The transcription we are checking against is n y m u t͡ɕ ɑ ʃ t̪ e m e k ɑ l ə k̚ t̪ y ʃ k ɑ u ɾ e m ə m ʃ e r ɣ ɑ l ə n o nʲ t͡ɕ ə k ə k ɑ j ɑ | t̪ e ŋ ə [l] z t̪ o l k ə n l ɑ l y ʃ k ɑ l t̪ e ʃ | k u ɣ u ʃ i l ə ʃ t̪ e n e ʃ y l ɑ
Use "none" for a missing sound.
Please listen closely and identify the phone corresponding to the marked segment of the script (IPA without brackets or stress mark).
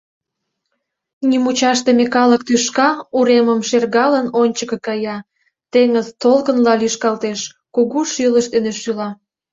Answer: none